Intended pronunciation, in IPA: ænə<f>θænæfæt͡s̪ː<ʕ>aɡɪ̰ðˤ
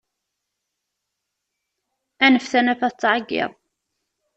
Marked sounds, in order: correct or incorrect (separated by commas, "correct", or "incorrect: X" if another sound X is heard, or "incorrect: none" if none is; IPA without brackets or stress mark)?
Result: correct, correct